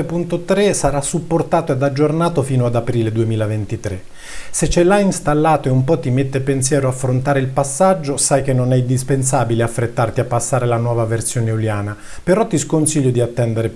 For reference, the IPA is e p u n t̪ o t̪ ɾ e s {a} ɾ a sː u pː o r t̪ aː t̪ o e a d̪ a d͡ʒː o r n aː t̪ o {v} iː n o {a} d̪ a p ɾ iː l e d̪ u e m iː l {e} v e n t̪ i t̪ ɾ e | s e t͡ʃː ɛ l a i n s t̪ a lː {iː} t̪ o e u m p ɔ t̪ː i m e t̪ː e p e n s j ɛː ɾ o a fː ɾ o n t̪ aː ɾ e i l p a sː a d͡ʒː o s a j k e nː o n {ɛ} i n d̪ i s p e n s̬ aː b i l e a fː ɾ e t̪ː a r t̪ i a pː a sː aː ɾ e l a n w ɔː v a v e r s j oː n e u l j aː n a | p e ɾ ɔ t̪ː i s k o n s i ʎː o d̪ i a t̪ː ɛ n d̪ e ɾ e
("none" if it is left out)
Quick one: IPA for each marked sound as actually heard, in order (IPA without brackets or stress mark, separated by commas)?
a, f, a, a, aː, ɛ